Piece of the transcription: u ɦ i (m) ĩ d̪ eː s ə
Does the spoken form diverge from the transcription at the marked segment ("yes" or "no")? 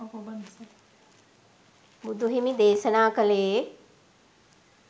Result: no